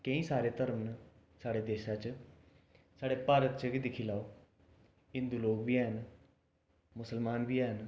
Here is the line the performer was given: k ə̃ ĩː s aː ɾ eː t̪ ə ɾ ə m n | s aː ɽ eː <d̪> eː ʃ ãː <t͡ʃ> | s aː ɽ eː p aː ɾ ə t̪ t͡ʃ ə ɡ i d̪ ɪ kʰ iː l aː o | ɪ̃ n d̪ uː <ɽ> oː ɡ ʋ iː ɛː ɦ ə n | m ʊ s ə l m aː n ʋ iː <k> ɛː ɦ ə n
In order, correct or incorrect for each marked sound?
correct, correct, incorrect: l, incorrect: none

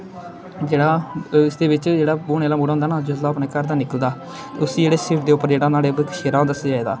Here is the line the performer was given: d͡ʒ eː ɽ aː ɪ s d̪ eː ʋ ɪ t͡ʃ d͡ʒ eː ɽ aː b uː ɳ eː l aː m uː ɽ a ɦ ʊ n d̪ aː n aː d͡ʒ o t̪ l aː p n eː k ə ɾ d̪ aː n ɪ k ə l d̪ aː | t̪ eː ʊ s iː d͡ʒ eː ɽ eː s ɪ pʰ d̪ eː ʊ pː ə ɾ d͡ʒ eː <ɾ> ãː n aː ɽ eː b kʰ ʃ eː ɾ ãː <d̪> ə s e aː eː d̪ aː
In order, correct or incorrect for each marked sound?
incorrect: ɽ, correct

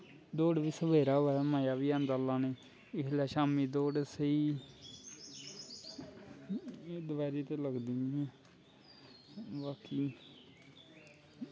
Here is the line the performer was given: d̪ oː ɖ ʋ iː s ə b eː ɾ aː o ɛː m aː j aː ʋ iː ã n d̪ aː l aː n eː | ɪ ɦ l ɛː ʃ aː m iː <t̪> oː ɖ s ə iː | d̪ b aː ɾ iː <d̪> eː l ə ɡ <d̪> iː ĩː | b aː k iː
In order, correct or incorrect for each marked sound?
incorrect: d̪, incorrect: t̪, correct

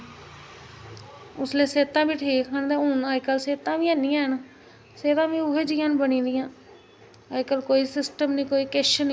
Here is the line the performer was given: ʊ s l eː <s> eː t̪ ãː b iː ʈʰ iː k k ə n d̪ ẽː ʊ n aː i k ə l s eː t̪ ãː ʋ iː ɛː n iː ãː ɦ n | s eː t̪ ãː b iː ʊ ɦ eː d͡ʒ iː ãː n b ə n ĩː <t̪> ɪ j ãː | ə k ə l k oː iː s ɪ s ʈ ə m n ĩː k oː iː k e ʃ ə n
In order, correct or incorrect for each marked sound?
correct, incorrect: d̪

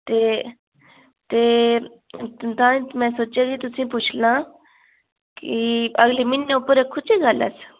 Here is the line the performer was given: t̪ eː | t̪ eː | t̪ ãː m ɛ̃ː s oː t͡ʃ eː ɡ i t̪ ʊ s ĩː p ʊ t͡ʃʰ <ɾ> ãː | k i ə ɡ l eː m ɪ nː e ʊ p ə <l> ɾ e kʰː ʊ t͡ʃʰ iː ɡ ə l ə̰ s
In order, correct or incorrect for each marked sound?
incorrect: l, incorrect: none

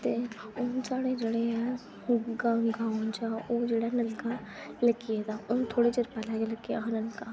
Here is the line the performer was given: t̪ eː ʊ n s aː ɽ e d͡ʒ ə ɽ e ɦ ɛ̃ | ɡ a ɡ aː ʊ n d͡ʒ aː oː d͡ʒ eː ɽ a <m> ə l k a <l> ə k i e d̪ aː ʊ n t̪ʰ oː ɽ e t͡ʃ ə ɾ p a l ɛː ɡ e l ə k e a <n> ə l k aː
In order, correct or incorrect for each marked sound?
incorrect: n, correct, correct

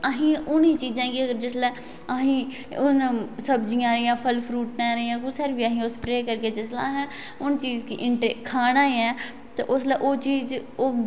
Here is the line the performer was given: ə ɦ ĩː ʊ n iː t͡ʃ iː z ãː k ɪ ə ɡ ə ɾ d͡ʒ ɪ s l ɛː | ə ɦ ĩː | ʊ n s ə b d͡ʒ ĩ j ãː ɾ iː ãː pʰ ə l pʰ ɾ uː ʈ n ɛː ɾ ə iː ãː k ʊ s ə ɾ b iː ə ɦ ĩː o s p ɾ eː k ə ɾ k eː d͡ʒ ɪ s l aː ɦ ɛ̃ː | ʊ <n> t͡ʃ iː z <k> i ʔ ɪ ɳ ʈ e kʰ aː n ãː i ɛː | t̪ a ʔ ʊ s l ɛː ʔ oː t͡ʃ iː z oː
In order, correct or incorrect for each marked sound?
correct, correct

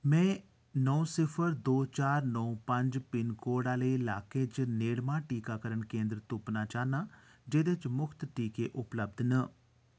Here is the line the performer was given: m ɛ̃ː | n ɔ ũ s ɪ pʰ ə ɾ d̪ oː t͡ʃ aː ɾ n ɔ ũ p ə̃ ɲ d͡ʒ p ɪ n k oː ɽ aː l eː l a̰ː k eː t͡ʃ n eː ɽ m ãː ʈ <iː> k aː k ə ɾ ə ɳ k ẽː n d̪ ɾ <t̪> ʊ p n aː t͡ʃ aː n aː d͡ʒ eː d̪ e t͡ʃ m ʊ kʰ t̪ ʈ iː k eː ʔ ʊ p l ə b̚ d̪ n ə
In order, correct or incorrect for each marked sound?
correct, correct

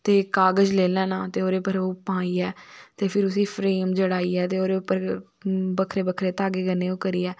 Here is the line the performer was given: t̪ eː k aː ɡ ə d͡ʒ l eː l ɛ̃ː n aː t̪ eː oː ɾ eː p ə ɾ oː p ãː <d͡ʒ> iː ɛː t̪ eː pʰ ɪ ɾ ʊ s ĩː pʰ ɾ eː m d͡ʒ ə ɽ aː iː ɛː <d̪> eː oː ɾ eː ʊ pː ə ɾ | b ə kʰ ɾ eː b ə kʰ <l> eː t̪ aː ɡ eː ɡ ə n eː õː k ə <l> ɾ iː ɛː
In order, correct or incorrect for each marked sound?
incorrect: none, incorrect: t̪, incorrect: ɾ, incorrect: none

